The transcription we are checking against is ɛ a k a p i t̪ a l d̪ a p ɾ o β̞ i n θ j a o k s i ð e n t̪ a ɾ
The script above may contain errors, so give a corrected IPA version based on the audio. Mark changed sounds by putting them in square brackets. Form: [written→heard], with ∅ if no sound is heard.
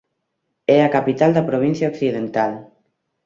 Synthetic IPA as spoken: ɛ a k a p i t̪ a l d̪ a p ɾ o β̞ i n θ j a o k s i ð e n t̪ a [ɾ→l]